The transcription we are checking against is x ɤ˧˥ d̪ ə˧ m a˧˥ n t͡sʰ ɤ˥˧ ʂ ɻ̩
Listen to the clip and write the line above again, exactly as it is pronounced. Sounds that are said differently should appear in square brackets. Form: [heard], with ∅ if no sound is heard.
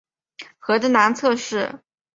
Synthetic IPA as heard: x ɤ˧˥ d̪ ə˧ [n] a˧˥ n t͡sʰ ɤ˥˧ ʂ ɻ̩